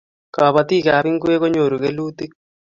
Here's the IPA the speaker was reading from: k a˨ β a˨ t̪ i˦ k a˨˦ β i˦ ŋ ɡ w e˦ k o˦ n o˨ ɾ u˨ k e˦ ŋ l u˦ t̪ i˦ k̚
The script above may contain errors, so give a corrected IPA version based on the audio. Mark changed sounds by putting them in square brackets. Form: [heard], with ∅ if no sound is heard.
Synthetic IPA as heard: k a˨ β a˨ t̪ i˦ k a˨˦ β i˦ ŋ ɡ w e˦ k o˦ [ɲ] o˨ ɾ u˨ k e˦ [∅] l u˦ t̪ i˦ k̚